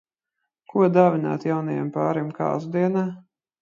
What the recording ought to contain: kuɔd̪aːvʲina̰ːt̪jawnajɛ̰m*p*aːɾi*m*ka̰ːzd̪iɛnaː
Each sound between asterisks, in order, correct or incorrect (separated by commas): correct, correct